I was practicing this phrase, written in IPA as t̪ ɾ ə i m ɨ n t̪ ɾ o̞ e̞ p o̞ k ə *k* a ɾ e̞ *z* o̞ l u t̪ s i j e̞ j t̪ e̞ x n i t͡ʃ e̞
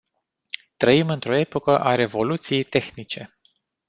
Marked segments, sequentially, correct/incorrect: incorrect, incorrect

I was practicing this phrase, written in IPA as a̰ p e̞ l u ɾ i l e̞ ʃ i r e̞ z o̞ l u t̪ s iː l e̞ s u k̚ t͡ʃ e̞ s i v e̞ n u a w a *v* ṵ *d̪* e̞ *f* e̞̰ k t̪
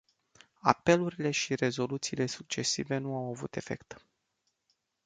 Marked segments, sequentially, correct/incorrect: correct, incorrect, correct

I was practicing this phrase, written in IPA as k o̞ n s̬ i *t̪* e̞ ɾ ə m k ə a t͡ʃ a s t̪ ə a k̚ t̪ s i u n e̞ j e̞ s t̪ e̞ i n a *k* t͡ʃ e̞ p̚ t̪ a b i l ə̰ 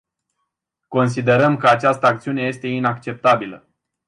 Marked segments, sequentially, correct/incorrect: incorrect, correct

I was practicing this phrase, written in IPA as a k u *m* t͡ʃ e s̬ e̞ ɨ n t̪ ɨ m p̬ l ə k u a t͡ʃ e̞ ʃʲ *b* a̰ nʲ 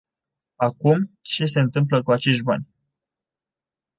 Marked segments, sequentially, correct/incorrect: correct, correct

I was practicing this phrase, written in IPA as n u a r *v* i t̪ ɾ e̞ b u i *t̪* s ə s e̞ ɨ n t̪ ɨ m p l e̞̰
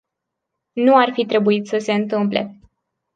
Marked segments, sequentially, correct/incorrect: incorrect, correct

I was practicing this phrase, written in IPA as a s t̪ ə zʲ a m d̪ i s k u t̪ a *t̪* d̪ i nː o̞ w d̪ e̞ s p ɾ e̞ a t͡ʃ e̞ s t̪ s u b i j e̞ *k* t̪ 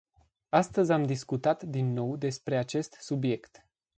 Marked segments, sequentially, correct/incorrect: correct, correct

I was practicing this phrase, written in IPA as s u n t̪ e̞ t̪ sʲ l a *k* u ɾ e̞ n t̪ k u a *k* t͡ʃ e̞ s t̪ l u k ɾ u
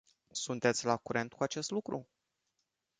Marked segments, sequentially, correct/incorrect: correct, incorrect

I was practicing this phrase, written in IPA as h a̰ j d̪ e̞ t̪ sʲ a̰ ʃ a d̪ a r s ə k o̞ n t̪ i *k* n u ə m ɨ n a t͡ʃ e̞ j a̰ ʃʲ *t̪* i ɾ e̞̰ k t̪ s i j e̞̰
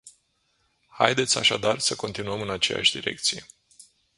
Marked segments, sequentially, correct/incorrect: incorrect, incorrect

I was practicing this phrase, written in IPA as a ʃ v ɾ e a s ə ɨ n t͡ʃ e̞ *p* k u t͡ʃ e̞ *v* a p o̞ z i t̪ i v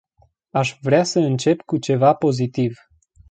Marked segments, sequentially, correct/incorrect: correct, correct

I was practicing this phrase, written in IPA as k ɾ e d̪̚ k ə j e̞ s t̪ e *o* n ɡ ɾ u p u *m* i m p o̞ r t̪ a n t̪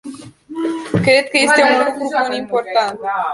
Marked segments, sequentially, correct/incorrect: incorrect, incorrect

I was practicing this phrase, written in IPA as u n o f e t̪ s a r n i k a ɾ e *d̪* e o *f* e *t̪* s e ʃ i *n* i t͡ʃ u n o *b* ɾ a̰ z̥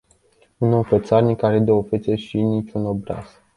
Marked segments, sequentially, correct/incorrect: correct, correct, correct, correct, correct

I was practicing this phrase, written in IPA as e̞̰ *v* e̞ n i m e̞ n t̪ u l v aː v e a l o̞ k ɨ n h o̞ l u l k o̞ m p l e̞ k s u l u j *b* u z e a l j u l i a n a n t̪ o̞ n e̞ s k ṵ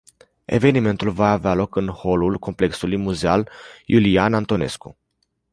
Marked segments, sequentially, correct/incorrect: correct, incorrect

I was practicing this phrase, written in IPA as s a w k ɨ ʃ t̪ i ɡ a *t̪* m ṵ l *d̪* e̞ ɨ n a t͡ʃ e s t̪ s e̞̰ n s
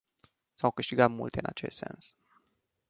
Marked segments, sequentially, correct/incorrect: correct, incorrect

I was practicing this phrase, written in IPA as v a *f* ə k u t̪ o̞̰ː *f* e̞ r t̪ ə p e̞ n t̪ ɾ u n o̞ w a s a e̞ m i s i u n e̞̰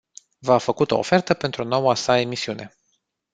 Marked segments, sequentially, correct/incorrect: correct, correct

